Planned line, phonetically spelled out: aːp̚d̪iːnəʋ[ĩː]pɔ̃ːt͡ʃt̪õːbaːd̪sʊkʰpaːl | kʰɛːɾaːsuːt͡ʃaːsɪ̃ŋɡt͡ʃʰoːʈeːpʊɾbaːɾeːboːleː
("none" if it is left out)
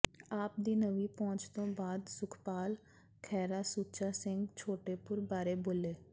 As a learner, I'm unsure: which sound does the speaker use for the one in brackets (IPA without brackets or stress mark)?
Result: iː